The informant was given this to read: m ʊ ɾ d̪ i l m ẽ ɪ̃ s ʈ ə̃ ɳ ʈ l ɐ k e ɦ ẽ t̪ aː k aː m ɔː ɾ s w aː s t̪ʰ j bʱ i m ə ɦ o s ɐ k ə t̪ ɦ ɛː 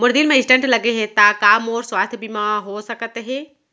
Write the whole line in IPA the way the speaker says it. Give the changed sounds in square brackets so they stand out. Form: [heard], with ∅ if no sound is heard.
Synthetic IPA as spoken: m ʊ ɾ d̪ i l m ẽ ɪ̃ s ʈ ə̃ ɳ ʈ l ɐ [ɡ] e ɦ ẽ t̪ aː k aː m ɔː ɾ s w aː s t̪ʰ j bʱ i m [a] ɦ o s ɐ k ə t̪ ɦ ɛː